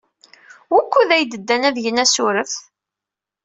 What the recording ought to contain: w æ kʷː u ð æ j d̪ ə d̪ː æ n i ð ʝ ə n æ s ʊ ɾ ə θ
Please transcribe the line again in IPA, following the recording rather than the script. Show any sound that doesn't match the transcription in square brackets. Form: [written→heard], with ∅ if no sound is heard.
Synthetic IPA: w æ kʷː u ð æ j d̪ ə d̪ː æ n [i→æ] ð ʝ ə n æ s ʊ ɾ ə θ

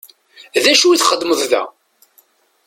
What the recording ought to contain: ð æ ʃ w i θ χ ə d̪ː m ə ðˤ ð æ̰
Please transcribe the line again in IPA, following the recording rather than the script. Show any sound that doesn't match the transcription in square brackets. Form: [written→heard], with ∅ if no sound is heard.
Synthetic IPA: ð æ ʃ [w→u] i θ χ ə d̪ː m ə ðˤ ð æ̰

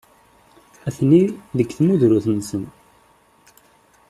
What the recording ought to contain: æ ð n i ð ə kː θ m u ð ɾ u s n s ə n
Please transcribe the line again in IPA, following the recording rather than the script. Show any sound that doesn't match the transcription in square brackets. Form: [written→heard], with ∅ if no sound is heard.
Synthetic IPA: æ [ð→θ] n i ð ə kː θ m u ð ɾ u [s→θ] n s ə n

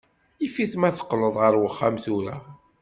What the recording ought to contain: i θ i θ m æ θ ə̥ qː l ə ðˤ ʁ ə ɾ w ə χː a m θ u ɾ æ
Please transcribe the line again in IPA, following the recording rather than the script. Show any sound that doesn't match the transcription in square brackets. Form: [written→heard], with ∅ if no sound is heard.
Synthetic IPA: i [θ→f] i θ m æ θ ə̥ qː l ə ðˤ ʁ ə ɾ w ə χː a m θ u ɾ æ

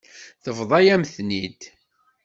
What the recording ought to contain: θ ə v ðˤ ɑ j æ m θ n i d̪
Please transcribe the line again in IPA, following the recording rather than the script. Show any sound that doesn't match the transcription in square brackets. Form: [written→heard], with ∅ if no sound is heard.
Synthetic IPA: θ ə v ðˤ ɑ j æ m θ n i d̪

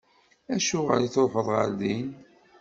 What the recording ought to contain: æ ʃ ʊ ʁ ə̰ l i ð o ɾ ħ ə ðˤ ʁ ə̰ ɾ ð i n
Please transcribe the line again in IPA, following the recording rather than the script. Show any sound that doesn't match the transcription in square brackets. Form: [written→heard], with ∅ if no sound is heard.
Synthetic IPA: æ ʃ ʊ ʁ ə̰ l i [ð→θ] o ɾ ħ ə ðˤ ʁ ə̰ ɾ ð i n

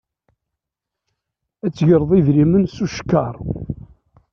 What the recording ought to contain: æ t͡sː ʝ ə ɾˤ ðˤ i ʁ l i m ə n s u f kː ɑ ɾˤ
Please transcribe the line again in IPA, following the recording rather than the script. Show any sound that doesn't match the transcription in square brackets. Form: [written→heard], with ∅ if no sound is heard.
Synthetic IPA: æ t͡sː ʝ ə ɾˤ ðˤ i [ʁ→ð] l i m ə n s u [f→ʃ] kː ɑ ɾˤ

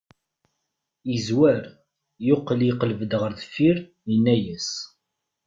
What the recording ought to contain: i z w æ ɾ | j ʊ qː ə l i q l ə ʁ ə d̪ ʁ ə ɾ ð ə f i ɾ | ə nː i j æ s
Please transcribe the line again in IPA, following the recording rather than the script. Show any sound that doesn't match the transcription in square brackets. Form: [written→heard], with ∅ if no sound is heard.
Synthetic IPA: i z w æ ɾ | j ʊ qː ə l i q l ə [ʁ→v] ə d̪ ʁ ə ɾ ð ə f i ɾ | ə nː [i→æ] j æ s

